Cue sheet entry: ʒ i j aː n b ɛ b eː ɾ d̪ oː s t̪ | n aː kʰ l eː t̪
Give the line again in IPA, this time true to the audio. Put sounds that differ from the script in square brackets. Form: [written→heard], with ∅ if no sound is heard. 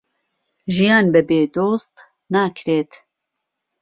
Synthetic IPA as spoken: ʒ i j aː n b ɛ b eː [ɾ→∅] d̪ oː s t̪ | n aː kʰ [l→ɾ] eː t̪